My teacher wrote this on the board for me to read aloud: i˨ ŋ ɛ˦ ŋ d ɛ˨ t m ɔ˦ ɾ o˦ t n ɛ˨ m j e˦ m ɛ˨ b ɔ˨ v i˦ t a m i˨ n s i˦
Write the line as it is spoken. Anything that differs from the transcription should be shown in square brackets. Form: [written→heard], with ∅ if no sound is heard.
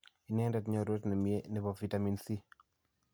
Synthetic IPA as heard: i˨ [ŋ→n] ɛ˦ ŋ d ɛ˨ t [m→ɲ] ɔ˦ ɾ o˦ t n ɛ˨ m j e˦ [m→n] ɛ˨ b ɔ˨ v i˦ t a m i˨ n s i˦